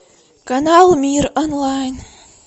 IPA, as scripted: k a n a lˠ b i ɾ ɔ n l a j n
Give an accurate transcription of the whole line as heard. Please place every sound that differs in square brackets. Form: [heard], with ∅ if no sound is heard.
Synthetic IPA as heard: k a n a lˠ [m] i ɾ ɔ n l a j n